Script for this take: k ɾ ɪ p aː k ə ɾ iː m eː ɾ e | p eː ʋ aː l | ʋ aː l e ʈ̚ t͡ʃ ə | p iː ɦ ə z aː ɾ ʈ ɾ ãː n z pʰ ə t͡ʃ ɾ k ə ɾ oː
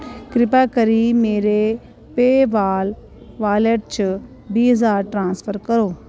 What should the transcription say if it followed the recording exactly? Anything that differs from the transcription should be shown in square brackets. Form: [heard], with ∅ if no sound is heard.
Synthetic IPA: k ɾ ɪ p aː k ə ɾ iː m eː ɾ e | p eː ʋ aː l | ʋ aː l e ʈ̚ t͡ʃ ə | [b] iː ɦ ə z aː ɾ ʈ ɾ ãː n [s] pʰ ə [∅] ɾ k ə ɾ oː